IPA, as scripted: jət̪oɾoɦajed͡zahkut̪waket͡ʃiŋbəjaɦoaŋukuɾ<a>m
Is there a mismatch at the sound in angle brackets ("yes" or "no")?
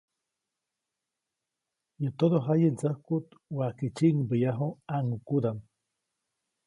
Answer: no